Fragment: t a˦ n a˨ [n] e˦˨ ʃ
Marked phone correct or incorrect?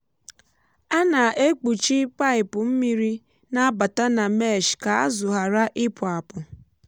incorrect